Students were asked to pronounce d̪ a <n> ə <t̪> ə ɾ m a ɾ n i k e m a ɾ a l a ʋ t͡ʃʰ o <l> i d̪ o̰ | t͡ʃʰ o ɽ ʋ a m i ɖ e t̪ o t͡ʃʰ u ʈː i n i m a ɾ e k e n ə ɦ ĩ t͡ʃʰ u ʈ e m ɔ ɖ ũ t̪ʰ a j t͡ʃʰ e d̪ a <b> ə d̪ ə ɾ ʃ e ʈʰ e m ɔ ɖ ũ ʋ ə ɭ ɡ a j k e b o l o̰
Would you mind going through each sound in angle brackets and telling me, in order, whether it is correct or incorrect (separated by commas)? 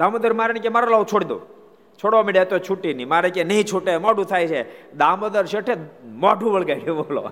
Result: incorrect, incorrect, incorrect, incorrect